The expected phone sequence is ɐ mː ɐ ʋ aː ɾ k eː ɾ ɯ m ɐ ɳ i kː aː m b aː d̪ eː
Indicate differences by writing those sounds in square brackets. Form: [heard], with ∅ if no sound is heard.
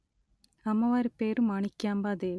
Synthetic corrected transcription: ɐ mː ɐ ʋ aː ɾ [p] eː ɾ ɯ m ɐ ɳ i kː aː m b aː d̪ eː